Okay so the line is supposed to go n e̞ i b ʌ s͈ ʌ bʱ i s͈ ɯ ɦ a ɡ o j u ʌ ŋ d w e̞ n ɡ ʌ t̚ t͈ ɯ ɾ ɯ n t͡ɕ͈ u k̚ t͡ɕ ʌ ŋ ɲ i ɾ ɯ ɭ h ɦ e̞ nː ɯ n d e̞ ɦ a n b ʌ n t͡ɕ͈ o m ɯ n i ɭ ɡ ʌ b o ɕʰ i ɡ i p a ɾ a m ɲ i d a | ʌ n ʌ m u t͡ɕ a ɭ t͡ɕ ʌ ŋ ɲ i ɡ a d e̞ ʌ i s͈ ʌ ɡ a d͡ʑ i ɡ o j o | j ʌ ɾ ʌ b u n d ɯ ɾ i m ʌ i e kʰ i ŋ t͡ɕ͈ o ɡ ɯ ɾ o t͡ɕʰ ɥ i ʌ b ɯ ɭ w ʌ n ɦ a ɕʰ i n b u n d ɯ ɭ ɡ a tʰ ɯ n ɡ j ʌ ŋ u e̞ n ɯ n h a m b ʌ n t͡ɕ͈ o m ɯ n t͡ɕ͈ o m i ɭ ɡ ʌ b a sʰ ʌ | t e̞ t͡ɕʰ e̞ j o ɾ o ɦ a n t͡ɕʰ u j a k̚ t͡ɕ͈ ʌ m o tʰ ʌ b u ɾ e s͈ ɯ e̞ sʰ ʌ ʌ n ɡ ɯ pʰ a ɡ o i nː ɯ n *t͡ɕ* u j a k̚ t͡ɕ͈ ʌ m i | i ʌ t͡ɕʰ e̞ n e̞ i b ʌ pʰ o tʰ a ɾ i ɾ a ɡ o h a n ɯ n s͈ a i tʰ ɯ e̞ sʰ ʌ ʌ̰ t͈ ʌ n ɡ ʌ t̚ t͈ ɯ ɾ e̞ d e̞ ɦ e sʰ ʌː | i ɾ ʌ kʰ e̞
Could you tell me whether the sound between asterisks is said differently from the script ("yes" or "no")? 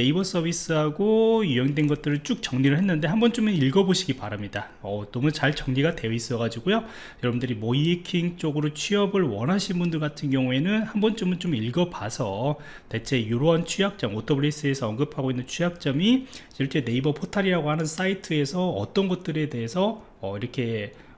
yes